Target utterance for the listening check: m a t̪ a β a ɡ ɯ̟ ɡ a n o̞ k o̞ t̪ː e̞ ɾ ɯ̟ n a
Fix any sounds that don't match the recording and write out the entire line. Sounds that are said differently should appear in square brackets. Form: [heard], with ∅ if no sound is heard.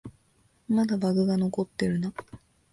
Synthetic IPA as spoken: m a [d̪] a [b] a ɡ ɯ̟ ɡ a n o̞ k o̞ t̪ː e̞ ɾ ɯ̟ n a